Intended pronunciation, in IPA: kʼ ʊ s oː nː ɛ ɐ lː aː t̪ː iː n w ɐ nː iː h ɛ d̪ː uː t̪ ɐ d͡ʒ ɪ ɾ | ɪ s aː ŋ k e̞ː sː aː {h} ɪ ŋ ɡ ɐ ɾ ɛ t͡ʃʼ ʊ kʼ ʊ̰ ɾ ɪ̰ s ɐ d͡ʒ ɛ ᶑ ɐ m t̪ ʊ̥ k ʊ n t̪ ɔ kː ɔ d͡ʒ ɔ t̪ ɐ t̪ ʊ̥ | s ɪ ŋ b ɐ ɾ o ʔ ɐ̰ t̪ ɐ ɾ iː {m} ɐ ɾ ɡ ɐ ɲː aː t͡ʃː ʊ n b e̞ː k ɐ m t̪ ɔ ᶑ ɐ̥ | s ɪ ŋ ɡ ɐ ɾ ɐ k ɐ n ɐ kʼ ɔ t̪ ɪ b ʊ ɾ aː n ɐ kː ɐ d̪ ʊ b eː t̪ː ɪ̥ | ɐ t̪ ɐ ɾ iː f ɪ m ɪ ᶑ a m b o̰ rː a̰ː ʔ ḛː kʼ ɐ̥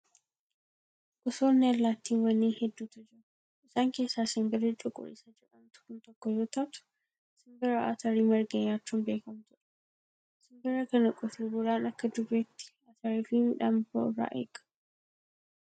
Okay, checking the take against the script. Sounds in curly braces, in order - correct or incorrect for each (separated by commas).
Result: incorrect, correct